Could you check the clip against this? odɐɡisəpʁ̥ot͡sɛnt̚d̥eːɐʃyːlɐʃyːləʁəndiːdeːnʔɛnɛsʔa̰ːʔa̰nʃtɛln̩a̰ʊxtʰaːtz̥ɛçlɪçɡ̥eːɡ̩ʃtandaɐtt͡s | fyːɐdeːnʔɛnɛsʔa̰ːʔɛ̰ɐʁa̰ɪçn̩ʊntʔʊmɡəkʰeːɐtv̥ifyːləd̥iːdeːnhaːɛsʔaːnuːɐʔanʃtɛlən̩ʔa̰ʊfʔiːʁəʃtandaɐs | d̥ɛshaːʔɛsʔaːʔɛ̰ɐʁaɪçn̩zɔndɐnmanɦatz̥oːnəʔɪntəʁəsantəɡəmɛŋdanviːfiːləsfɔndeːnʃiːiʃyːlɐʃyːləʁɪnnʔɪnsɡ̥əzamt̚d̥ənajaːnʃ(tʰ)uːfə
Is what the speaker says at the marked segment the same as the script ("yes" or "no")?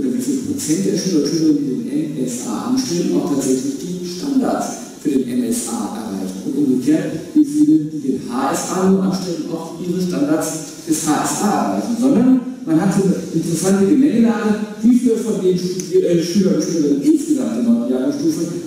no